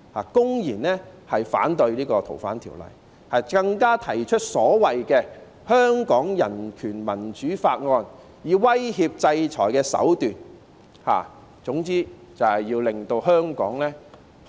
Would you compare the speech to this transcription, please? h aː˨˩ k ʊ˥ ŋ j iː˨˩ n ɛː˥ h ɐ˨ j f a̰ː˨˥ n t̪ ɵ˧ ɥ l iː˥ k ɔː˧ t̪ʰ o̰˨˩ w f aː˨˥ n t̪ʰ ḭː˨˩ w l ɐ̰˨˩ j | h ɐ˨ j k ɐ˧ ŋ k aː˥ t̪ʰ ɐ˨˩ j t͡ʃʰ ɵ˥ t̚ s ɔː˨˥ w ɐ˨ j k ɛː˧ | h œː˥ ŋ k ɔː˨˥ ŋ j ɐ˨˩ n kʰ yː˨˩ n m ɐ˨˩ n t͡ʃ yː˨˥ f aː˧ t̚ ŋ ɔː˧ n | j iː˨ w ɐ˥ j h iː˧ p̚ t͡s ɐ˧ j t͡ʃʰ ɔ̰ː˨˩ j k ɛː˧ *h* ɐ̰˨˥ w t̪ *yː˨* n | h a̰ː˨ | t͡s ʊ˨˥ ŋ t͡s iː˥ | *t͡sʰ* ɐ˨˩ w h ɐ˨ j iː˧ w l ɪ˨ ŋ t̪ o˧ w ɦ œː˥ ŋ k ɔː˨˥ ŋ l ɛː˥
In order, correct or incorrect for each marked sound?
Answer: incorrect: s, correct, incorrect: t͡s

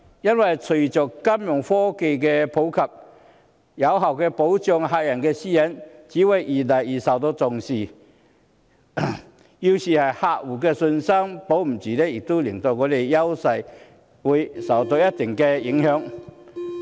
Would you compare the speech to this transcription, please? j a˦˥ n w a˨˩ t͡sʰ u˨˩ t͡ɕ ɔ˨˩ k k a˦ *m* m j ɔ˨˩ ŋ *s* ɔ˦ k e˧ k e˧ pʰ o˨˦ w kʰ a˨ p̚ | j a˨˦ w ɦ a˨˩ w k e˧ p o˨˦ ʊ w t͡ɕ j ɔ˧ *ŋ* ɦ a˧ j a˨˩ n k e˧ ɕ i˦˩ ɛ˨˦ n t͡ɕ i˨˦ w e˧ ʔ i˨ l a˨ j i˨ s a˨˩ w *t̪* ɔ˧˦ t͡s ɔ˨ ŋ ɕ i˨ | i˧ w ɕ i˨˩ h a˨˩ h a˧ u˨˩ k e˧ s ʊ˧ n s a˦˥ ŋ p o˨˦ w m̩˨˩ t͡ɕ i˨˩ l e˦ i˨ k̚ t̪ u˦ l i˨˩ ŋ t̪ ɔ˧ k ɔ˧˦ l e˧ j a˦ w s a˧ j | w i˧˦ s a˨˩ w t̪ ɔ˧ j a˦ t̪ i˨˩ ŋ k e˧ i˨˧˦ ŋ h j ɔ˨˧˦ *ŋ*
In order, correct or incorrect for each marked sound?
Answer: correct, incorrect: f, correct, correct, correct

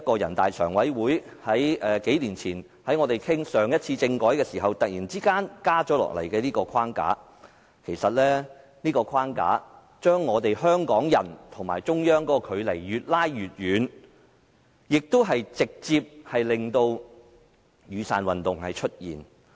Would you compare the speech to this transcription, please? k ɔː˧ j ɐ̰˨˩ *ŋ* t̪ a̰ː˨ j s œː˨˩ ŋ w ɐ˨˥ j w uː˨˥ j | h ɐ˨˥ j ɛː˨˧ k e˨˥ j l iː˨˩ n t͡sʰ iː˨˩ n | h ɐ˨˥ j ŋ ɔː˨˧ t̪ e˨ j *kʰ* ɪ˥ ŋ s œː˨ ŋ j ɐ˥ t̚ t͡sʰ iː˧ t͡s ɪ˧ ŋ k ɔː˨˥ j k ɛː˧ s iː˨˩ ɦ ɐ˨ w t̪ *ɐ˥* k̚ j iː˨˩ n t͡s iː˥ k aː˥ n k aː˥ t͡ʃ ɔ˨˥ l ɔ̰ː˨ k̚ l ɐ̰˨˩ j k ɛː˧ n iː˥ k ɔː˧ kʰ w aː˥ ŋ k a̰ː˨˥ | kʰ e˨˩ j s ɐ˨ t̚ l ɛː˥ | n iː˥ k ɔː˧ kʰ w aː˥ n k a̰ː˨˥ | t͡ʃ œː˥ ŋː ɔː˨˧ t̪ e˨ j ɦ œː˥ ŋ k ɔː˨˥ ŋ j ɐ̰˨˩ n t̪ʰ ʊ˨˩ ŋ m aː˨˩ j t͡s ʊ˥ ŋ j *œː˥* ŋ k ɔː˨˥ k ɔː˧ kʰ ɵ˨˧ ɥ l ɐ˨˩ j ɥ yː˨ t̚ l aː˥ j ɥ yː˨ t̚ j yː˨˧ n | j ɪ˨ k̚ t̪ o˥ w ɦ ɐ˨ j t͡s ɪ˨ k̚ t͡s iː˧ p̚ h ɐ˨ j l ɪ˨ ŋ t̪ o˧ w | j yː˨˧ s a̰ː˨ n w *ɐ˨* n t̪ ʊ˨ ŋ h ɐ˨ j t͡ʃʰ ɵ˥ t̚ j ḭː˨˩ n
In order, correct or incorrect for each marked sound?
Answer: incorrect: n, correct, incorrect: ɐ˨, correct, correct

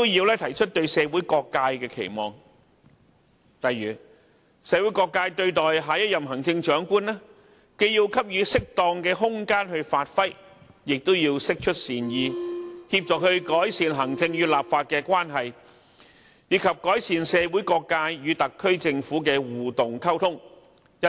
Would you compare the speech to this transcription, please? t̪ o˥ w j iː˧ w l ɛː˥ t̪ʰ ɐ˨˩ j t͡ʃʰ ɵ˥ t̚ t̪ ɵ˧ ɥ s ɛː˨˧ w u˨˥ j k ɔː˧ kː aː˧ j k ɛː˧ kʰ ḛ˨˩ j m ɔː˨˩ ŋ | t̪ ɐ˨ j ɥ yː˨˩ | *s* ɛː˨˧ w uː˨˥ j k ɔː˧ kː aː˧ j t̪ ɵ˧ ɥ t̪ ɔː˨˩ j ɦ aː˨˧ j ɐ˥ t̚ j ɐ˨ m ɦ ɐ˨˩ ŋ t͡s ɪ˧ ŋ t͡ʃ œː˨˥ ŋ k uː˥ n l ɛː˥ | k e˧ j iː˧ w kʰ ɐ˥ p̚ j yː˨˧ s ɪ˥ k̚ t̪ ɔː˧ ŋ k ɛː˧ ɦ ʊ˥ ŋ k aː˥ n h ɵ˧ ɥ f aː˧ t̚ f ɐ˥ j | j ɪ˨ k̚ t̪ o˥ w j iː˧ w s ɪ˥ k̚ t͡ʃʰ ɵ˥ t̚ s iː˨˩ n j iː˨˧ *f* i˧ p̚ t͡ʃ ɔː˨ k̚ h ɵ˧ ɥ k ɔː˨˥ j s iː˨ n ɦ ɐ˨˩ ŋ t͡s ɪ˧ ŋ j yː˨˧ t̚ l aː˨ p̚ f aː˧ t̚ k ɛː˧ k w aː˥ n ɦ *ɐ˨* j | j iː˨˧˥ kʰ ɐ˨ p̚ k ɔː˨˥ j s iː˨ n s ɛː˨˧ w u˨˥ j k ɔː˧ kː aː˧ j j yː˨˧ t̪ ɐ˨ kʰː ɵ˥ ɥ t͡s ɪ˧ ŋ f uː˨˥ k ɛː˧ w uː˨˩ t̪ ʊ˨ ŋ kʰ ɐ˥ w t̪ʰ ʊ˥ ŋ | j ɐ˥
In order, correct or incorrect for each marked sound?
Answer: correct, incorrect: h, correct

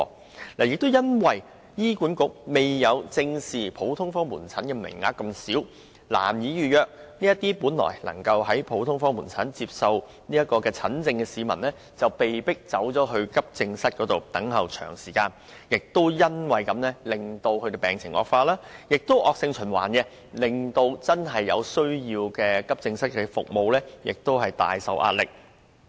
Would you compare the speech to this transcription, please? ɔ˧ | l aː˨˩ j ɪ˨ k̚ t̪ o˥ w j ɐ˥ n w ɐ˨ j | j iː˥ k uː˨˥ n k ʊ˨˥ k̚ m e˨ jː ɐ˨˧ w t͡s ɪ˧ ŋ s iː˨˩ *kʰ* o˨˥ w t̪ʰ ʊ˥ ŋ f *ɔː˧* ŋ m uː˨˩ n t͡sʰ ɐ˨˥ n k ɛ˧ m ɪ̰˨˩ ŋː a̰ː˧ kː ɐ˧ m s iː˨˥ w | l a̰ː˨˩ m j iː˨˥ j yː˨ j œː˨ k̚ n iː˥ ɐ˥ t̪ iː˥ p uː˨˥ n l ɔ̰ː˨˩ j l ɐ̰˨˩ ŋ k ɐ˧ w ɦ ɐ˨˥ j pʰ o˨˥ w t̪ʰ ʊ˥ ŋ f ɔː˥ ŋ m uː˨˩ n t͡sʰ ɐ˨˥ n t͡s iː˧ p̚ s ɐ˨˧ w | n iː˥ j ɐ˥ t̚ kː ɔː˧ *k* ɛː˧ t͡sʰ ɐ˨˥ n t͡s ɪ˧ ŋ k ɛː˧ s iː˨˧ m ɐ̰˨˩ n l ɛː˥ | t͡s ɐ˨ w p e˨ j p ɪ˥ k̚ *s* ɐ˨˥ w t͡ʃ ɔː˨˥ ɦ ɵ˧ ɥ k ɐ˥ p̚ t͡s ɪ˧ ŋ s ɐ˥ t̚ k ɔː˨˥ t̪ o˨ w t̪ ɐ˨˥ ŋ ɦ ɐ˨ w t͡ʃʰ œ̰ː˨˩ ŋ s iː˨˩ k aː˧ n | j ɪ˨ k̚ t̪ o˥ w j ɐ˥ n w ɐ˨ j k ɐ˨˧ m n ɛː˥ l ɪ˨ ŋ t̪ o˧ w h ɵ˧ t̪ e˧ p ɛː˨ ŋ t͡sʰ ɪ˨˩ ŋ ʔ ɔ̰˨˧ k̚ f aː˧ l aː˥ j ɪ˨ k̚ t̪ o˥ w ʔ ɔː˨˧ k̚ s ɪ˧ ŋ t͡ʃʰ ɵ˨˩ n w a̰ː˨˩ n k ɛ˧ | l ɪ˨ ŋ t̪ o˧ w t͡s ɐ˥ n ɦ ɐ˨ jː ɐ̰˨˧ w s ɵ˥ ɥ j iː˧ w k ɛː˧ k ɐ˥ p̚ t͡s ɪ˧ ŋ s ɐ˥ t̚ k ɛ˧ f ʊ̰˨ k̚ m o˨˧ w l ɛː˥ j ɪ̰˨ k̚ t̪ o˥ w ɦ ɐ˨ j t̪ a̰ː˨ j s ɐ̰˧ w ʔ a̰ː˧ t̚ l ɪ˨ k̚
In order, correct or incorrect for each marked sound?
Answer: incorrect: pʰ, incorrect: ɔː˥, correct, incorrect: t͡s

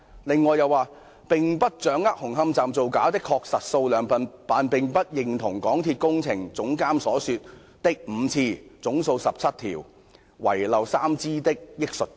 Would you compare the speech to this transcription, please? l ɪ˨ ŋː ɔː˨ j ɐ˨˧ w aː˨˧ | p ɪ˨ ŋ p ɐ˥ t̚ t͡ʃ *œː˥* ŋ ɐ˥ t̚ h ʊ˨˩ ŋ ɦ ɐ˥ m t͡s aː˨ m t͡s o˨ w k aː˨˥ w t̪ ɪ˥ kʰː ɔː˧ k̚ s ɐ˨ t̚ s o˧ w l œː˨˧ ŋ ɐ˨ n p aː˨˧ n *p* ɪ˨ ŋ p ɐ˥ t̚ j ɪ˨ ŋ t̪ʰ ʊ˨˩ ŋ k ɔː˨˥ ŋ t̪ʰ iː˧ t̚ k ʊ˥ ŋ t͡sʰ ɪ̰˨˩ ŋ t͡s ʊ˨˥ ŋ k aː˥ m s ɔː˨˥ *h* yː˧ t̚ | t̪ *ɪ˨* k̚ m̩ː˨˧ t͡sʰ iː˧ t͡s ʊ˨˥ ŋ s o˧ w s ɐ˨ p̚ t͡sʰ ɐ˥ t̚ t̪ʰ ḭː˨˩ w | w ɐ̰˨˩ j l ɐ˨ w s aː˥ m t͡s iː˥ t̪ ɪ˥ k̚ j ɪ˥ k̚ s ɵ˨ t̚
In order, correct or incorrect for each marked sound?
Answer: incorrect: œː˨˥, correct, incorrect: s, incorrect: ɪ˥

